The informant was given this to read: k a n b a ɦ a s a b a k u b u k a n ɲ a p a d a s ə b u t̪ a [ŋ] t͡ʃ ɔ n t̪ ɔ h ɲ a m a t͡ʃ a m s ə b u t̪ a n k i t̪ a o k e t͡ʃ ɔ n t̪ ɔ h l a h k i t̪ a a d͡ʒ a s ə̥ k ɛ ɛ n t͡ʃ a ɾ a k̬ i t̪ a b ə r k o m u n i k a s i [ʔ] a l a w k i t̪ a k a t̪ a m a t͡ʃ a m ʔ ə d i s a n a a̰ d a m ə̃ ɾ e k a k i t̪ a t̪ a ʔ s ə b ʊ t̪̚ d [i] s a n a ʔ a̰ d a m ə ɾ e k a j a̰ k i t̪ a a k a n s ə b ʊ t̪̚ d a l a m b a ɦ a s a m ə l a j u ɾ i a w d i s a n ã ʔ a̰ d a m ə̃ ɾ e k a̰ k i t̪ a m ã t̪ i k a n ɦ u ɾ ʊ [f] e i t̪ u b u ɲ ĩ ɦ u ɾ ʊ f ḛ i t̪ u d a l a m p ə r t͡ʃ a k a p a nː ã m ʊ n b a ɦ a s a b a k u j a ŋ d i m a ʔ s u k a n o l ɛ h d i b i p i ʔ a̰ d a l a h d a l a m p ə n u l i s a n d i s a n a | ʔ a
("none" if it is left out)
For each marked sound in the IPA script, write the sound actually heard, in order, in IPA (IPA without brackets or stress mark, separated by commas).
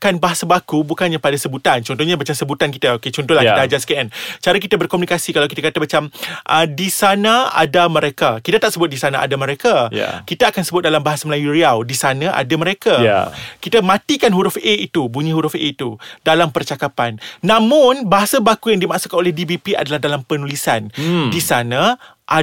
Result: n, k, i, f